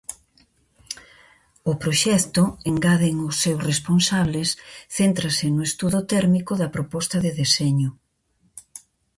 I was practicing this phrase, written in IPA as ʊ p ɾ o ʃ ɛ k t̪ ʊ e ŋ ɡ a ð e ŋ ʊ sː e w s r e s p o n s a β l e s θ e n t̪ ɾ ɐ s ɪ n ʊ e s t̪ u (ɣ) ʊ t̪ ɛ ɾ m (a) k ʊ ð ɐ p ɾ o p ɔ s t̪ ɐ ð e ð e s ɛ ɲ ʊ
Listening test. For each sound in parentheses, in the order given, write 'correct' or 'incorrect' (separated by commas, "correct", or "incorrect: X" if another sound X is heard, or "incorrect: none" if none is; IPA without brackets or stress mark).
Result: incorrect: ð, incorrect: i